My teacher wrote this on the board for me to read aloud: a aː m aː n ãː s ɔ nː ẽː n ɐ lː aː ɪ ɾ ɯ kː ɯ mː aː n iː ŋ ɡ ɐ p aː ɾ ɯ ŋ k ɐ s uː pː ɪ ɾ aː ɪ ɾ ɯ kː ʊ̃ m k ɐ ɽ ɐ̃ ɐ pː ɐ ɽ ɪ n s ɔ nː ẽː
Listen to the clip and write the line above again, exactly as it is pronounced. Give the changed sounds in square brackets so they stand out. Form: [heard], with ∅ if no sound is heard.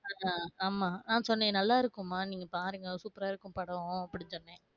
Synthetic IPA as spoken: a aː m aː n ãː s ɔ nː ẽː n ɐ lː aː ɪ ɾ ɯ kː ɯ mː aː n iː ŋ ɡ ɐ p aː ɾ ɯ ŋ [ɡ] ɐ s uː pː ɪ ɾ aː ɪ ɾ ɯ kː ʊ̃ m [p] ɐ ɽ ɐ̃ ɐ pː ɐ ɽ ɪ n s ɔ nː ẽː